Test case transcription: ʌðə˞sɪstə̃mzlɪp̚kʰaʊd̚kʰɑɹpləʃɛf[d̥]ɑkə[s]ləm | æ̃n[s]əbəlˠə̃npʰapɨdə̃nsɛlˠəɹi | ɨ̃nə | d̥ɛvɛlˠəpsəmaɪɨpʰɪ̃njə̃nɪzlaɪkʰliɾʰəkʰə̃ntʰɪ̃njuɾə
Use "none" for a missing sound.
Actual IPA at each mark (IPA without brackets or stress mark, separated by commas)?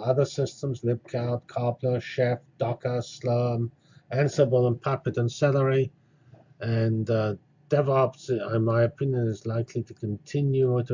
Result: d̥, s, s